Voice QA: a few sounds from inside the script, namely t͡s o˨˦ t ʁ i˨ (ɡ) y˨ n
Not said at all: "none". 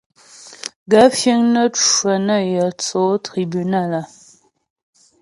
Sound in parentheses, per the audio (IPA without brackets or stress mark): b